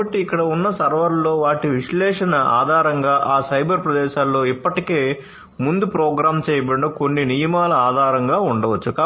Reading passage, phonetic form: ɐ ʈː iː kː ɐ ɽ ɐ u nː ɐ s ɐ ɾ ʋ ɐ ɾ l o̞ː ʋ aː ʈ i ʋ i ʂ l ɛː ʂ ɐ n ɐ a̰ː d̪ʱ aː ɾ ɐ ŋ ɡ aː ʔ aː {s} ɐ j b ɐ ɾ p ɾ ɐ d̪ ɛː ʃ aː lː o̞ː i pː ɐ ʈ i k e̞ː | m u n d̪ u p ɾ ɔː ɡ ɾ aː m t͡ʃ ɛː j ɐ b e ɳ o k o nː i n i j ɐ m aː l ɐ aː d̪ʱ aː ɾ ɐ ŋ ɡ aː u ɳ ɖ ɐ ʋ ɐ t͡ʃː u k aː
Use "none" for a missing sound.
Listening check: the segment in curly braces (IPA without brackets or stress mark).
s